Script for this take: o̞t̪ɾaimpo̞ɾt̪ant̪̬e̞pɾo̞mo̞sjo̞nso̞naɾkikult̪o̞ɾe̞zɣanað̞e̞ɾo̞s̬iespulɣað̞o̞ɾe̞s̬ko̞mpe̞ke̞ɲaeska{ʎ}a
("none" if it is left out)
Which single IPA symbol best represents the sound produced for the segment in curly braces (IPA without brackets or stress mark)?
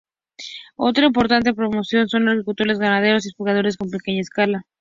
l